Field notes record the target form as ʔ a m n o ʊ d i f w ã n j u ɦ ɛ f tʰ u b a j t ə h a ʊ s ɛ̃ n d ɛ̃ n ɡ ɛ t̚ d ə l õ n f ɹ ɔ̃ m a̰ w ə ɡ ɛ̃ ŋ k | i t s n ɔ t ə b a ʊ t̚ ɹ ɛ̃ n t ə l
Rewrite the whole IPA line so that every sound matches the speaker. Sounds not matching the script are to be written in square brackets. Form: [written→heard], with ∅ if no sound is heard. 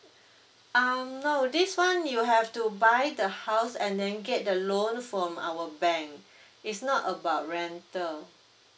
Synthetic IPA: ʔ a m n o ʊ d i [f→s] w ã n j u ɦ ɛ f [tʰ→t] u b a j [t→d] ə h a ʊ s ɛ̃ n d ɛ̃ n ɡ ɛ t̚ d ə l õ n f ɹ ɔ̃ m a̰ w ə [ɡ→b] ɛ̃ ŋ k | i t s n ɔ t ə b a ʊ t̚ ɹ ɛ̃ n t ə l